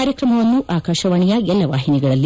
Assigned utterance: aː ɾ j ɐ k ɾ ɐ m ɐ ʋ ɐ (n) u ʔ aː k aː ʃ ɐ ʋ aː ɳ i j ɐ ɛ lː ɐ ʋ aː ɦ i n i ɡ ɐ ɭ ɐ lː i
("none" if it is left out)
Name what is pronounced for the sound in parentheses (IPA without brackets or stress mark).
nː